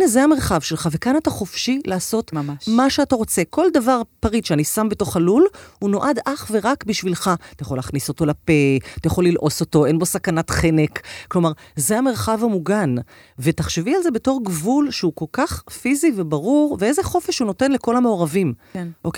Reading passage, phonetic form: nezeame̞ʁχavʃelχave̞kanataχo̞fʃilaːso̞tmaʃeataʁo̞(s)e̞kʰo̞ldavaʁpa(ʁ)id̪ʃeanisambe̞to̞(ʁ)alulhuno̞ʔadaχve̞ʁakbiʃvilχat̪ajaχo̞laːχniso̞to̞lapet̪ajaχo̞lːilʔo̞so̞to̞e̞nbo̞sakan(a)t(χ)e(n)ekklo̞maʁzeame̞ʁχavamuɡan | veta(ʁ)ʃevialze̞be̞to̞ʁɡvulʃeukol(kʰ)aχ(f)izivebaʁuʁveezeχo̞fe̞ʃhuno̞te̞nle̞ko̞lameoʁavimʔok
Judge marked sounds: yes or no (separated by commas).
no, yes, no, yes, yes, yes, no, no, yes